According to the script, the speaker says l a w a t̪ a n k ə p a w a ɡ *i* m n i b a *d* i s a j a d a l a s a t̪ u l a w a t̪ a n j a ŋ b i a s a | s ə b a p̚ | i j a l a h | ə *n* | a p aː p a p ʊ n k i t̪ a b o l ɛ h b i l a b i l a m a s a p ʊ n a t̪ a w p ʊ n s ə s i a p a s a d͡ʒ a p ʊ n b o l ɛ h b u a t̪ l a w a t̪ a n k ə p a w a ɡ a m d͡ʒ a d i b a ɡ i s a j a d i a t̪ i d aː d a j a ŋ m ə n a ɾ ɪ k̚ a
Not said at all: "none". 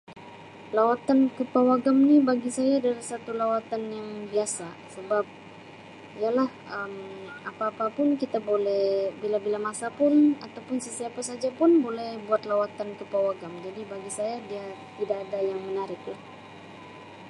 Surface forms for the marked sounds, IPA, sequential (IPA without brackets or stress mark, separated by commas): a, ɡ, m